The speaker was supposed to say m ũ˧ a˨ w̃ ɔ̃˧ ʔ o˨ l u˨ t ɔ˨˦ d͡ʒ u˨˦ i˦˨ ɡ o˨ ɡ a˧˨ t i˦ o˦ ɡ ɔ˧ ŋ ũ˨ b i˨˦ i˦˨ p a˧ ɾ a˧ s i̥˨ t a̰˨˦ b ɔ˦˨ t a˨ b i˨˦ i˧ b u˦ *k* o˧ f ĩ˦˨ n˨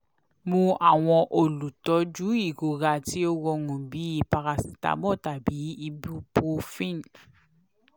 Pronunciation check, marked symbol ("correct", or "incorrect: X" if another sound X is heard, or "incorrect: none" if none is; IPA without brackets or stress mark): incorrect: p